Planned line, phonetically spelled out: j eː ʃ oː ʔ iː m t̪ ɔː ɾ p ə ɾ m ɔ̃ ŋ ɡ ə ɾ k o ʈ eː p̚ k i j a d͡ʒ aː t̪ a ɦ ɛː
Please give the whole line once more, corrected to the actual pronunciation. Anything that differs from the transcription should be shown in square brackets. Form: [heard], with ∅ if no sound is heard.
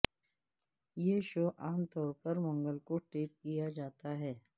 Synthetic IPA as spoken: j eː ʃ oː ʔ [aː] m t̪ ɔː ɾ p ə ɾ m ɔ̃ ŋ ɡ ə [l] k o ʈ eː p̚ k i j a d͡ʒ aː t̪ a ɦ ɛː